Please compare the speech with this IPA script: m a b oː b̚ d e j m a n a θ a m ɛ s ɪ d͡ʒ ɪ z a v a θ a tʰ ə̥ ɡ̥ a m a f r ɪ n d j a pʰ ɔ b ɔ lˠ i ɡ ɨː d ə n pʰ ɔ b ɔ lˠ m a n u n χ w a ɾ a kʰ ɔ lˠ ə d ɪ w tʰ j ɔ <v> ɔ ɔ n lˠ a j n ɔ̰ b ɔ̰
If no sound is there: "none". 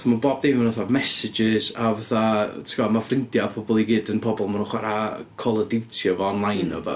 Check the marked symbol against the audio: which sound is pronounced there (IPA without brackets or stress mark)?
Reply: v